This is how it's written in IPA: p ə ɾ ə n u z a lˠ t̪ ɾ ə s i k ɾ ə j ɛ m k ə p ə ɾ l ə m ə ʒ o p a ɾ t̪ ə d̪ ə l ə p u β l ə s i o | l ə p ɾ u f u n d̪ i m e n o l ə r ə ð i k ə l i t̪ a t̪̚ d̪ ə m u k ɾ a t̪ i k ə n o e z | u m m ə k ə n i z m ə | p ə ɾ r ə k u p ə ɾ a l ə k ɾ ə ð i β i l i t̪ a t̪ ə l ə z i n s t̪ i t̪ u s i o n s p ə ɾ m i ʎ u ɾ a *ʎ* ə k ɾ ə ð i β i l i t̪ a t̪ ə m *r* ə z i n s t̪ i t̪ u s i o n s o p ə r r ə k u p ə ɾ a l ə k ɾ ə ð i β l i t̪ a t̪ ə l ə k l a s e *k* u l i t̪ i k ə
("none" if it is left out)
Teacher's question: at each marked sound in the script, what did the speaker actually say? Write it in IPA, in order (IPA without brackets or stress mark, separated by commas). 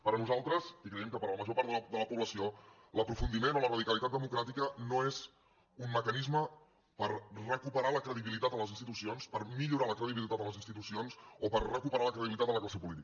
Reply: l, l, p